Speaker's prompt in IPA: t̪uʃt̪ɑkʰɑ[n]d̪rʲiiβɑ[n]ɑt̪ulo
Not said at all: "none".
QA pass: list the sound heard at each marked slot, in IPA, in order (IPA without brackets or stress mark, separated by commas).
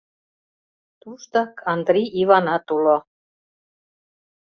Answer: n, n